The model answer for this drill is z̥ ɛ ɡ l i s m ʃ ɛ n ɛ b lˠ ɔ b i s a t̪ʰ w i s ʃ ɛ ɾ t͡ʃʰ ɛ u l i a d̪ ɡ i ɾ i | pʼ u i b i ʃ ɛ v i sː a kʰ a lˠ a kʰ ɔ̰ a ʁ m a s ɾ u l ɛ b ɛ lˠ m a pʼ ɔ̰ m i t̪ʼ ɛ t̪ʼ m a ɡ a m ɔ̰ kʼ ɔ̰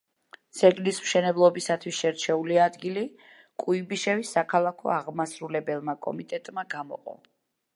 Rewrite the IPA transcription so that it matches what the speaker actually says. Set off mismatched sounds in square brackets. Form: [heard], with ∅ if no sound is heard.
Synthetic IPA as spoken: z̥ ɛ ɡ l i s m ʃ ɛ n ɛ b lˠ ɔ b i s a t̪ʰ w i s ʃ ɛ ɾ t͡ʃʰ ɛ u l i a d̪ ɡ i [l] i | [kʼ] u i b i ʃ ɛ v i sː a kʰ a lˠ a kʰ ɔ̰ a ʁ m a s ɾ u l ɛ b ɛ lˠ m a [kʼ] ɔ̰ m i t̪ʼ ɛ t̪ʼ m a ɡ a m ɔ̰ [qʼ] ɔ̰